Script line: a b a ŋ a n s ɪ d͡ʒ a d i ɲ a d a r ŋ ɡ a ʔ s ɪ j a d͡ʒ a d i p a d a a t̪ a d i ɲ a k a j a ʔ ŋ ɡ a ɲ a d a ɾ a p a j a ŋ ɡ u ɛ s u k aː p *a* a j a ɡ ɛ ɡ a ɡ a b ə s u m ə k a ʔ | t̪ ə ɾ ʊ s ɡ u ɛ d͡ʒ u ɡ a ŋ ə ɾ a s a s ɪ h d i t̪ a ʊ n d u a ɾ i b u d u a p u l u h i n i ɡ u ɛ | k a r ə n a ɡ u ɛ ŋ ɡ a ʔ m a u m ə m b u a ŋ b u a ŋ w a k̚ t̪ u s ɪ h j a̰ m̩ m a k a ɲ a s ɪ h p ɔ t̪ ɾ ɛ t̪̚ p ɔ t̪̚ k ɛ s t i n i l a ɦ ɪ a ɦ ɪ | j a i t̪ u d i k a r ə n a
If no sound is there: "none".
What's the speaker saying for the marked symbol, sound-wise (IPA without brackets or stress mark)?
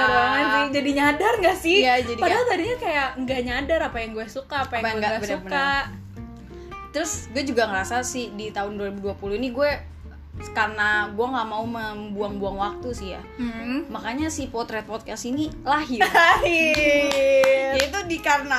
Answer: a